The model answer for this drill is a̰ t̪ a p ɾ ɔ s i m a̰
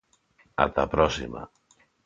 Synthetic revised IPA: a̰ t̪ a p ɾ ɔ s i m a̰